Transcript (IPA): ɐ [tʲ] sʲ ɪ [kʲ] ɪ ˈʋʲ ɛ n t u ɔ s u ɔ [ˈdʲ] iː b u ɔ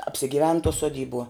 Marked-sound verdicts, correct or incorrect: incorrect: pʲ, incorrect: ɡʲ, correct

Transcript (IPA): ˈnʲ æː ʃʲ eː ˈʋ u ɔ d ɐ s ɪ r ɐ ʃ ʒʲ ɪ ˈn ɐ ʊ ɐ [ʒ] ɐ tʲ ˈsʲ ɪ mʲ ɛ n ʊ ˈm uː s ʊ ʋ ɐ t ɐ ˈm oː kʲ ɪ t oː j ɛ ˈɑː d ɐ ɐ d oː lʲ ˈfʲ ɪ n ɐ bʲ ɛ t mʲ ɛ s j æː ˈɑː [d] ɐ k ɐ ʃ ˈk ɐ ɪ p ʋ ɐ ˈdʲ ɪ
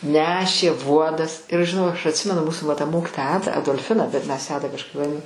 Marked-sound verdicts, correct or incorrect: incorrect: ʃ, correct

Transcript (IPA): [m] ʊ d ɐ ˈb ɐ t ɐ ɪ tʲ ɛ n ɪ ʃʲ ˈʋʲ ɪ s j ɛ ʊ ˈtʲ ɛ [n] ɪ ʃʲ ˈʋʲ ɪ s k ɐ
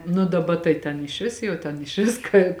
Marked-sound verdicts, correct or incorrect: incorrect: n, correct

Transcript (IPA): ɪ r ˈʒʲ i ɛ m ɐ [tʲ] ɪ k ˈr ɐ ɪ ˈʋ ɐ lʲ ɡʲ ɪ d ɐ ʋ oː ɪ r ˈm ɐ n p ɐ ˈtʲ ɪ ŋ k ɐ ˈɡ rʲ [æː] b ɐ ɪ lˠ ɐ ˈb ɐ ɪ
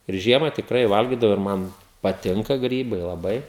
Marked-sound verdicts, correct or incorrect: correct, incorrect: iː

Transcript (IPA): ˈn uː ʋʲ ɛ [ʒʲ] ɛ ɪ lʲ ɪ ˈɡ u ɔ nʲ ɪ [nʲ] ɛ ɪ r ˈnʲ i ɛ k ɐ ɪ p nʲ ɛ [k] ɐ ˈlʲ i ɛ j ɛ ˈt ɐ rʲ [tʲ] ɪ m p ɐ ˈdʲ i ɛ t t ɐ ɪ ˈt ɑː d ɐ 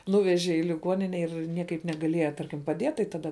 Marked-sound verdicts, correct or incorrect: correct, correct, incorrect: ɡ, incorrect: kʲ

